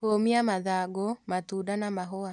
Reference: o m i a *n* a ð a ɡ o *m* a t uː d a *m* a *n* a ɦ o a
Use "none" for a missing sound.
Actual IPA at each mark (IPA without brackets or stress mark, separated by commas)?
m, m, n, m